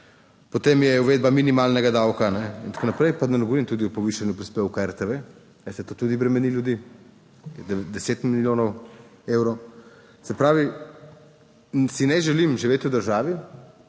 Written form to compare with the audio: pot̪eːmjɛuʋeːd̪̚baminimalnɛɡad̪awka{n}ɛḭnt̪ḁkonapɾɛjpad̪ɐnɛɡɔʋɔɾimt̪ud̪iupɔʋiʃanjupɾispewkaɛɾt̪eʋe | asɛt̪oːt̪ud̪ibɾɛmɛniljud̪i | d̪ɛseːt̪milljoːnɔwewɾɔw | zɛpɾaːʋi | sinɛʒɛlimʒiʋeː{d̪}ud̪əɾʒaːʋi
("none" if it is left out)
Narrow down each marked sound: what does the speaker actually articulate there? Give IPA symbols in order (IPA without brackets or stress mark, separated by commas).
n, t̪